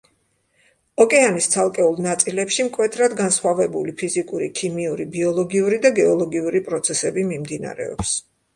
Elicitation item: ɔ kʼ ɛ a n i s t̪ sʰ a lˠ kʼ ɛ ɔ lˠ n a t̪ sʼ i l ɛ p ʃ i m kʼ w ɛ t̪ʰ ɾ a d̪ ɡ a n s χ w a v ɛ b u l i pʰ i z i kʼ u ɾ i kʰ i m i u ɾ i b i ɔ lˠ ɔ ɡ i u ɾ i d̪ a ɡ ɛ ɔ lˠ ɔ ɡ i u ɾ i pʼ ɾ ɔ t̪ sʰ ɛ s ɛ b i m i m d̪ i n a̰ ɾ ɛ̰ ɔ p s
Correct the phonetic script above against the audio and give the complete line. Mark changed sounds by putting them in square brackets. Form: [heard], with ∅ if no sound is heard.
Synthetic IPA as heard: ɔ kʼ ɛ a n i s t̪ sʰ a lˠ kʼ ɛ [u] lˠ n a t̪ sʼ i l ɛ p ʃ i m kʼ w ɛ t̪ʰ ɾ a d̪ ɡ a n s χ w a v ɛ b u l i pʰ i z i kʼ u ɾ i kʰ i m i u ɾ i b i ɔ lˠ ɔ ɡ i u ɾ i d̪ a ɡ ɛ ɔ lˠ ɔ ɡ i u ɾ i pʼ ɾ ɔ t̪ sʰ ɛ s ɛ b i m i m d̪ i n a̰ ɾ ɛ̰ ɔ p s